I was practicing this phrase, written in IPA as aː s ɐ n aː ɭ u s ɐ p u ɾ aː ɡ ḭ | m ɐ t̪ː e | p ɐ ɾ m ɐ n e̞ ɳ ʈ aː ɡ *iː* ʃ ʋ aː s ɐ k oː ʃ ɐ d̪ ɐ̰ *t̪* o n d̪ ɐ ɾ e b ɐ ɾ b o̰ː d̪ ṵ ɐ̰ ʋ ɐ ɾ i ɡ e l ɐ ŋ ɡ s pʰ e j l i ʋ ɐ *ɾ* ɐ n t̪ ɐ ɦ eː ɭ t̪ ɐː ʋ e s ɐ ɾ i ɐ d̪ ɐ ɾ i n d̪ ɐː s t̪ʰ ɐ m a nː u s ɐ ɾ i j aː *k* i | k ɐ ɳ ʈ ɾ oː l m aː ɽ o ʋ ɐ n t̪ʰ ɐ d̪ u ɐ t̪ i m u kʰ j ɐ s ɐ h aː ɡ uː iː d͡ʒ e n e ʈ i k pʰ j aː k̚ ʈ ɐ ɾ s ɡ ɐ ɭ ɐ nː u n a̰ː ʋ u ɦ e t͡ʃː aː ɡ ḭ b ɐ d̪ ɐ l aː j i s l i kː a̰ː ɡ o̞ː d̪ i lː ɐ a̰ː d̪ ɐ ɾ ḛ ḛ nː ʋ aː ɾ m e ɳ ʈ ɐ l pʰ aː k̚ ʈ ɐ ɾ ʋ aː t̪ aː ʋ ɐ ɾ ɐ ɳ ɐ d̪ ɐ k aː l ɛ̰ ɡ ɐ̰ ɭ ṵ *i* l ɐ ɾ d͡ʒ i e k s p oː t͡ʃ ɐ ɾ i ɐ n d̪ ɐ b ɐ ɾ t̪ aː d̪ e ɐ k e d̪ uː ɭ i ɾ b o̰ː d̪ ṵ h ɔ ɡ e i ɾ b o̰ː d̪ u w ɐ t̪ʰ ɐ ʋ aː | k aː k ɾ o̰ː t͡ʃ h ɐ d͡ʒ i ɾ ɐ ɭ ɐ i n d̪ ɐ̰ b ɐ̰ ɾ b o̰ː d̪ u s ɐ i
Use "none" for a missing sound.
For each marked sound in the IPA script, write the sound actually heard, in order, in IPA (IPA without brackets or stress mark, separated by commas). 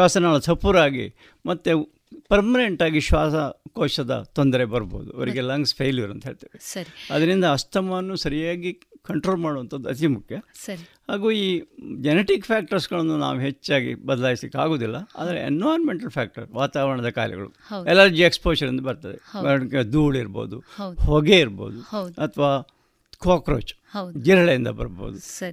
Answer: i, t̪, ɾ, ɡ, ɛ